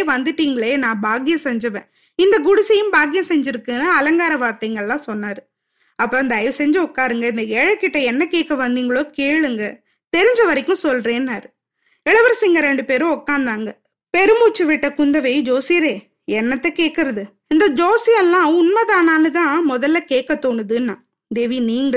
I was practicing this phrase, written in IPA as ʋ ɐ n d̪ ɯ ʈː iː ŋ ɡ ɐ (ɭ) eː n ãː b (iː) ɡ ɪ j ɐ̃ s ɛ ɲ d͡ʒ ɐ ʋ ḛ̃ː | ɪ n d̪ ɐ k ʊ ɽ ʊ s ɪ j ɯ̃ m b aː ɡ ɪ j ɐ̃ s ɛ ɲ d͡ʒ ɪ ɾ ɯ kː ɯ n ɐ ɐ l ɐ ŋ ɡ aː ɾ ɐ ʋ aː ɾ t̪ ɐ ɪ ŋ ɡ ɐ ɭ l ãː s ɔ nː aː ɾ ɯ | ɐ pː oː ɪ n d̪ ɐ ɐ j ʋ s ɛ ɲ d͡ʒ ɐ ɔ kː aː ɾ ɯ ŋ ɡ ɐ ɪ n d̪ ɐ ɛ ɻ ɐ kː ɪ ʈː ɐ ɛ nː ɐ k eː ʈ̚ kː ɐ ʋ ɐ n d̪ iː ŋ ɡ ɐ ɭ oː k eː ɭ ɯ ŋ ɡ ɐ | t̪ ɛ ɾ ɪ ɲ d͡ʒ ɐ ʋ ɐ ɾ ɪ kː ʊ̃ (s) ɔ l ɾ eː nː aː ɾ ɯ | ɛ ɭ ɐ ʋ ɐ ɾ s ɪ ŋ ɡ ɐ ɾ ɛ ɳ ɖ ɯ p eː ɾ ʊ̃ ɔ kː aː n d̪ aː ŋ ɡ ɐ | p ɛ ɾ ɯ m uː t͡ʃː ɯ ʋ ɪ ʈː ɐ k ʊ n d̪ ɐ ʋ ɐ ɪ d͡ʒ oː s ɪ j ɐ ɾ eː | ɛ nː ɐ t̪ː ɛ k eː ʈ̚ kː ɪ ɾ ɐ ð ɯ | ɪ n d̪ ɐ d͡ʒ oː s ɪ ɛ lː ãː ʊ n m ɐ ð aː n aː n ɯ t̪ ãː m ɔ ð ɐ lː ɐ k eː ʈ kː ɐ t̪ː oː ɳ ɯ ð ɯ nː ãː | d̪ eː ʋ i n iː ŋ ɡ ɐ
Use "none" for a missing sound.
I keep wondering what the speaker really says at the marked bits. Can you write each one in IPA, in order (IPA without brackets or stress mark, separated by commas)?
ɭ, aː, s